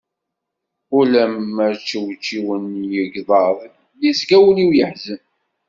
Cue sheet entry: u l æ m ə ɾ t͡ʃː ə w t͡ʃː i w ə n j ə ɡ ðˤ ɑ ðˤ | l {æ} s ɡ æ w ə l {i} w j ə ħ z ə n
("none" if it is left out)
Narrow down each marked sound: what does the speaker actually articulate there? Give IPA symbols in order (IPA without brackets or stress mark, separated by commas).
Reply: i, i